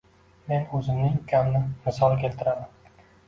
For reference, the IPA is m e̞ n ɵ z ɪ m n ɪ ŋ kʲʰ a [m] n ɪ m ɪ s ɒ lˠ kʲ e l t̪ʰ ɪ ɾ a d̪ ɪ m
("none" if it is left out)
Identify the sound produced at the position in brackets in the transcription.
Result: m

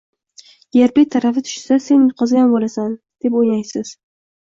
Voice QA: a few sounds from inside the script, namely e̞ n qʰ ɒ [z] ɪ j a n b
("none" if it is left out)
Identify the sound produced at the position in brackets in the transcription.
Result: z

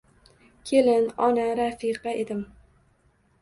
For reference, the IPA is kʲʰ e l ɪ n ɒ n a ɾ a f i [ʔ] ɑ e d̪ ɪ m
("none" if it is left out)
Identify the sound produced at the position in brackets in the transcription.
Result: q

